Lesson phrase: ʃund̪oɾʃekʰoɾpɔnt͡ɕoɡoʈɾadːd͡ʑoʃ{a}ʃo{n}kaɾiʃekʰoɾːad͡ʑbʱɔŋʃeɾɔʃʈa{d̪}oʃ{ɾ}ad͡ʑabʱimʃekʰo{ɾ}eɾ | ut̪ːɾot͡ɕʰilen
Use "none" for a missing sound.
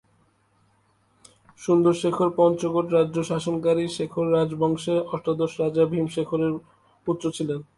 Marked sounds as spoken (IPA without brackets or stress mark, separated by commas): a, n, d̪, ɾ, ɾ